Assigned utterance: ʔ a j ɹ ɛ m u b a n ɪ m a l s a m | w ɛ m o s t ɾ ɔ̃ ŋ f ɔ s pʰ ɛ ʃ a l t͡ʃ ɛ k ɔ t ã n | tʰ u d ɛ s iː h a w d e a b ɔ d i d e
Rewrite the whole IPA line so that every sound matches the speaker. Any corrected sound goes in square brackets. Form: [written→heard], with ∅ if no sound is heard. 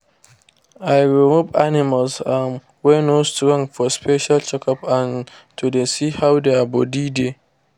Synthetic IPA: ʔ a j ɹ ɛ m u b a n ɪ m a l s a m | w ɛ [m→n] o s t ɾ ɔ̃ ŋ f ɔ s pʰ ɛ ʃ a l t͡ʃ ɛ k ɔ [t→p] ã n | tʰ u d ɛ s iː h a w d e a b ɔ d i d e